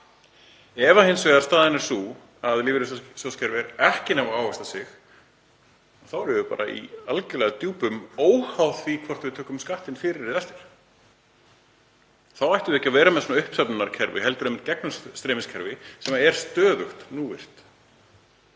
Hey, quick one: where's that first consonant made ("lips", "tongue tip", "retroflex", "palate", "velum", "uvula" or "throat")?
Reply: lips